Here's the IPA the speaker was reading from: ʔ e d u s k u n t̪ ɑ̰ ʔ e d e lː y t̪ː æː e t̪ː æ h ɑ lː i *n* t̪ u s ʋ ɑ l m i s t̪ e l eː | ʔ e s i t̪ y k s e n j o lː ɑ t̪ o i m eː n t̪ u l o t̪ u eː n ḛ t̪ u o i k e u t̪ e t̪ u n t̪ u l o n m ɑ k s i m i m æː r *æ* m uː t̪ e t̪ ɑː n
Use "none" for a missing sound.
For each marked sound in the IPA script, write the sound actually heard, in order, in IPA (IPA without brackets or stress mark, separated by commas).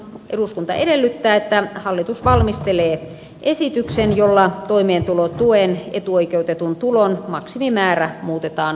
none, æ